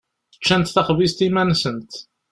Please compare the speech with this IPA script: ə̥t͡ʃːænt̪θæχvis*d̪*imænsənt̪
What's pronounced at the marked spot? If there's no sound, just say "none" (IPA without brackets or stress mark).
t̪